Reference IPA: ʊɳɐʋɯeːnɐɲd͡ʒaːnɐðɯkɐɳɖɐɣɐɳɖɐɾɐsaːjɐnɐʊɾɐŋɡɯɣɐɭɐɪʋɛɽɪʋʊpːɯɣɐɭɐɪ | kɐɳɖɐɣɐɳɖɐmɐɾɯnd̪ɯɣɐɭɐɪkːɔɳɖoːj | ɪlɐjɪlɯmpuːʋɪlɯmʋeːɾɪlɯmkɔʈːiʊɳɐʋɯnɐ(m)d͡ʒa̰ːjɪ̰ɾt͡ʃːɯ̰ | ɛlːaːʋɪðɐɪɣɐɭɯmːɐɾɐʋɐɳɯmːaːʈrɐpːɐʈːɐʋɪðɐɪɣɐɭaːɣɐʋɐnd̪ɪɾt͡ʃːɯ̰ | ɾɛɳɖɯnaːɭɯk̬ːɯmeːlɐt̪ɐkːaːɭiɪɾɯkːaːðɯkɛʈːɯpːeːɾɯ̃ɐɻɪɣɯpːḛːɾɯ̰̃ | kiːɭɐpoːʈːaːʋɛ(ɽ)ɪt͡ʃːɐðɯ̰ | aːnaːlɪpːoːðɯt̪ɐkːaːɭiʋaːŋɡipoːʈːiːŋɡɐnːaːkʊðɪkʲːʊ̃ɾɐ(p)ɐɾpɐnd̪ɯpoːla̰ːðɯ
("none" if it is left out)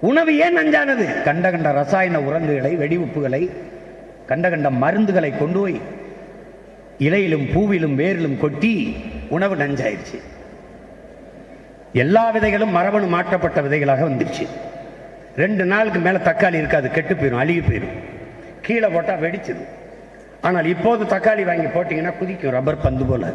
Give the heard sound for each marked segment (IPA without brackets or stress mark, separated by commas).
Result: ɲ, ɽ, b